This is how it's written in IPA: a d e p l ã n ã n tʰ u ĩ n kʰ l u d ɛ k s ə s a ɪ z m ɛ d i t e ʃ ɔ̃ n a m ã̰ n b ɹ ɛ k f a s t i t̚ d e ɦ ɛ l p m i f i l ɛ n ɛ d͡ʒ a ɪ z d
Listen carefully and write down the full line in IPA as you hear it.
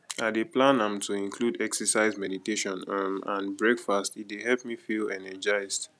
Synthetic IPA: a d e p l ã n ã m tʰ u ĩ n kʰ l u d ɛ k s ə s a ɪ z m ɛ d i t e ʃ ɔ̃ n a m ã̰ n b ɹ ɛ k f a s t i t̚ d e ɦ ɛ l p m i f i l ɛ n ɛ d͡ʒ a ɪ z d